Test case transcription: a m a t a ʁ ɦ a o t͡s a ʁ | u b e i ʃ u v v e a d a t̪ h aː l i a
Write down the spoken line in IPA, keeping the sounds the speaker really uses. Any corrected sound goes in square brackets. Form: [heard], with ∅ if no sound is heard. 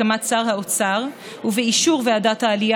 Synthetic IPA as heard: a m a [t͡s] a ʁ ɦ a o t͡s a ʁ | u [v] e i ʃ u [ʁ] v e a d a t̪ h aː l i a